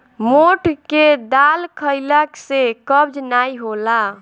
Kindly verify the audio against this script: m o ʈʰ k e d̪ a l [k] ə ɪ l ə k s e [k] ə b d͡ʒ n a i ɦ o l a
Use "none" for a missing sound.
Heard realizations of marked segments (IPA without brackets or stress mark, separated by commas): kʰ, k